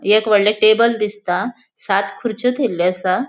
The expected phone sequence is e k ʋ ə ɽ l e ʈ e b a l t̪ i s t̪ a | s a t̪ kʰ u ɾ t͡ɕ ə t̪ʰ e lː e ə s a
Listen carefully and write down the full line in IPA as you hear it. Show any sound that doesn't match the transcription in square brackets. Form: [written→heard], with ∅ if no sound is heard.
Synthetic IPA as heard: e k ʋ ə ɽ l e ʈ e b [a→ə] l [t̪→d̪] i s t̪ a | s a t̪ kʰ u ɾ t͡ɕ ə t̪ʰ e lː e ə s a